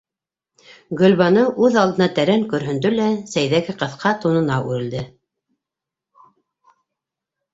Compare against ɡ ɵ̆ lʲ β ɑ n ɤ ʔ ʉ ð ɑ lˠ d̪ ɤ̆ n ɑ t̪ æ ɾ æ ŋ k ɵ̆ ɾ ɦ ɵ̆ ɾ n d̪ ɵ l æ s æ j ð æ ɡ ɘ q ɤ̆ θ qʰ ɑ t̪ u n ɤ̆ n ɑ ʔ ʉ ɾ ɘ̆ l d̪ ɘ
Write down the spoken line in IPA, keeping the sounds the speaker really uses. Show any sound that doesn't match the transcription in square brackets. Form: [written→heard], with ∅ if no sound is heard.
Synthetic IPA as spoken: ɡ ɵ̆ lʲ β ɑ n ɤ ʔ ʉ ð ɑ lˠ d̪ ɤ̆ n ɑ t̪ æ ɾ æ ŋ k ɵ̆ ɾ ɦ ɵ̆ [ɾ→∅] n d̪ ɵ l æ s æ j ð æ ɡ ɘ q ɤ̆ θ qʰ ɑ t̪ u n ɤ̆ n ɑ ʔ ʉ ɾ ɘ̆ l d̪ ɘ

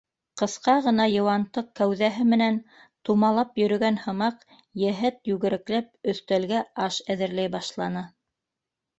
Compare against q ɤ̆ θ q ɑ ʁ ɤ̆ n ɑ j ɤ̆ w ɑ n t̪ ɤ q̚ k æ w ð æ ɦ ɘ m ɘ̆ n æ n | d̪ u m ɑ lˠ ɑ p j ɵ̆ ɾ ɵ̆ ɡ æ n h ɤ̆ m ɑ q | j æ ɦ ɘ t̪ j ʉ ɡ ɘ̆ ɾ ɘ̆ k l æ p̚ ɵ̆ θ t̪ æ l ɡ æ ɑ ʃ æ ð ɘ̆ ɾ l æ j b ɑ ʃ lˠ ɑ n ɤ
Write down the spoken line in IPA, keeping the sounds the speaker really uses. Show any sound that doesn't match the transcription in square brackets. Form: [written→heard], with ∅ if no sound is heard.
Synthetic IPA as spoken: q ɤ̆ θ q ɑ ʁ ɤ̆ n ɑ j ɤ̆ w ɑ n t̪ ɤ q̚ k æ w ð æ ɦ ɘ m ɘ̆ n æ n | [d̪→t̪] u m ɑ lˠ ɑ p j ɵ̆ ɾ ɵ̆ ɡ æ n h ɤ̆ m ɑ q | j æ ɦ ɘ t̪ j ʉ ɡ ɘ̆ ɾ ɘ̆ k l æ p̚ ɵ̆ θ t̪ æ l ɡ æ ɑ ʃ æ ð ɘ̆ ɾ l æ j b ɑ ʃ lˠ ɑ n ɤ

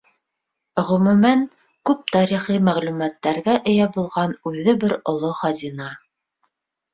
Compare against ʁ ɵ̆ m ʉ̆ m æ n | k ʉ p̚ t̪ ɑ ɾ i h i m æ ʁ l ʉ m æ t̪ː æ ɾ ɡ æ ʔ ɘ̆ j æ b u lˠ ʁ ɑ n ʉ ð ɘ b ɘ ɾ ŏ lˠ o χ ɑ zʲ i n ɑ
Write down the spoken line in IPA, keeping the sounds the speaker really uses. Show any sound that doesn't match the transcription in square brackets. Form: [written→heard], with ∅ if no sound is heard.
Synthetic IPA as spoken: ʁ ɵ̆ m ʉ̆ m æ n | k ʉ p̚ t̪ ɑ ɾ i [h→χ] i m æ ʁ l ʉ m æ t̪ː æ ɾ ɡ æ ʔ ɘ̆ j æ b u lˠ ʁ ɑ n ʉ ð ɘ b ɘ ɾ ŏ lˠ o χ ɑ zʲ i n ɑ

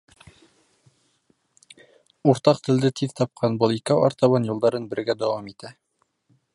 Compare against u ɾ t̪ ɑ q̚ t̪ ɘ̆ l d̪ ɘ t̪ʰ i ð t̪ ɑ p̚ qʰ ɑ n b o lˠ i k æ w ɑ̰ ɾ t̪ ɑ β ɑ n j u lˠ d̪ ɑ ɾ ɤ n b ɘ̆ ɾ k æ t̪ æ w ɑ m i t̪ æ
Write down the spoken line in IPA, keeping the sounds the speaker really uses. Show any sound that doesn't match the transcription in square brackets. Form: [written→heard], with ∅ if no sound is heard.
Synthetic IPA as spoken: u ɾ t̪ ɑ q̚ t̪ ɘ̆ l d̪ ɘ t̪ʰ i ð t̪ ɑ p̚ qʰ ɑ n b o lˠ i k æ w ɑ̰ ɾ t̪ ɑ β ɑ n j u lˠ d̪ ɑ ɾ ɤ n b ɘ̆ ɾ [k→ɡ] æ [t̪→d̪] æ w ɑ m i t̪ æ

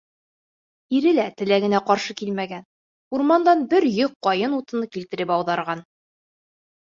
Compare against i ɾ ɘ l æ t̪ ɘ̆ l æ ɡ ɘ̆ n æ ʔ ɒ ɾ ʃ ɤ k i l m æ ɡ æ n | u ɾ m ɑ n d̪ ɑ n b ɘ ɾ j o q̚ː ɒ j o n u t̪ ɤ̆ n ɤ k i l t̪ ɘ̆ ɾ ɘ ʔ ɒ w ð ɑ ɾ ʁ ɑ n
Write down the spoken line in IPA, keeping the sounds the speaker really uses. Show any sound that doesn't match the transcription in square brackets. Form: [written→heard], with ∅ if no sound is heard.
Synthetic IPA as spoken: i ɾ ɘ l æ t̪ ɘ̆ l æ ɡ ɘ̆ n æ [ʔ→q] ɒ ɾ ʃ ɤ k i l m æ ɡ æ n | u ɾ m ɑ n d̪ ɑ n b ɘ ɾ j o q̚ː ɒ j [o→ɤ] n u t̪ ɤ̆ n ɤ k i l t̪ ɘ̆ ɾ ɘ [ʔ→p] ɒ w ð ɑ ɾ ʁ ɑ n

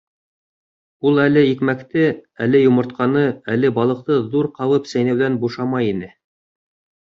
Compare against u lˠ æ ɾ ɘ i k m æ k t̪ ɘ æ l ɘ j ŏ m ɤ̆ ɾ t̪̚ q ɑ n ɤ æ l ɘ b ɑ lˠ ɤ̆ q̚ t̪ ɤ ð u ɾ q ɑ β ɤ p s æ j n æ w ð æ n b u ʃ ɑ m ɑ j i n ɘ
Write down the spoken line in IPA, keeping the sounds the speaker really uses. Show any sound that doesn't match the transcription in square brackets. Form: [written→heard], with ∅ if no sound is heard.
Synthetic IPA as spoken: u lˠ æ [ɾ→l] ɘ i k m æ k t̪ ɘ æ l ɘ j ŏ m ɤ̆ ɾ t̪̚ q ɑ n ɤ æ l ɘ b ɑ lˠ ɤ̆ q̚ t̪ ɤ ð u ɾ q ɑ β ɤ p s æ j n æ w ð æ n b u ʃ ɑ m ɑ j i n ɘ

